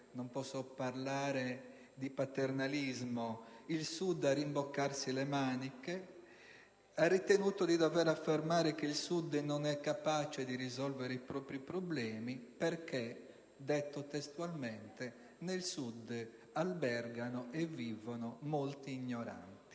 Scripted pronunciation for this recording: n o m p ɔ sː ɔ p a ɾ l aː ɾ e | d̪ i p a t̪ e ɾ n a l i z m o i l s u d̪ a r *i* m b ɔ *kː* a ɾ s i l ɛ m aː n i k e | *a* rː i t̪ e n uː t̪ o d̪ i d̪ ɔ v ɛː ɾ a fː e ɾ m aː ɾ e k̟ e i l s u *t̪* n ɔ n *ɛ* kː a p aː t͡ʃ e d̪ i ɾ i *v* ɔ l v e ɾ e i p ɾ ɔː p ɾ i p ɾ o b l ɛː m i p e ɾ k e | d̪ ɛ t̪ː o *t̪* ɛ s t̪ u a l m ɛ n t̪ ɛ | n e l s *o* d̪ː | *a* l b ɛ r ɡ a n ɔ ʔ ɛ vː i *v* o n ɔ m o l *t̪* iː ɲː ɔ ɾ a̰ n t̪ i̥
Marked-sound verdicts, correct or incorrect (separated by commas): correct, correct, correct, incorrect, correct, incorrect, correct, incorrect, correct, correct, correct